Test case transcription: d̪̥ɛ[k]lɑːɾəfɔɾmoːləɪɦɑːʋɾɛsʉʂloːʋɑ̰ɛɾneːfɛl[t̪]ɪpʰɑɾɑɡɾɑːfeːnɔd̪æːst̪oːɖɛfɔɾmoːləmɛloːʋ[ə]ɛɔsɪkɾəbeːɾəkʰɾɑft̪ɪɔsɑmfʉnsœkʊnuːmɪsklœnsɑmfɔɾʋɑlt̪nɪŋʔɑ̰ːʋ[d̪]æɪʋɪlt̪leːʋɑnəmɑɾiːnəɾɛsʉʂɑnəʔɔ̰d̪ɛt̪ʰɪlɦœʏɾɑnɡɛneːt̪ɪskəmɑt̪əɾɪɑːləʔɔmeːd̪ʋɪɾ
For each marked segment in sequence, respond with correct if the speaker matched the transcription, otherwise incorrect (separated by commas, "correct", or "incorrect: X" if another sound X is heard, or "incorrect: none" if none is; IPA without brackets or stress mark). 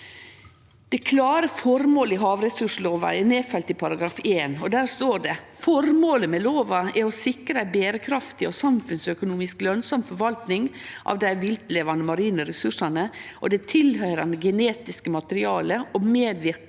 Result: incorrect: kʰ, correct, incorrect: ɑ, correct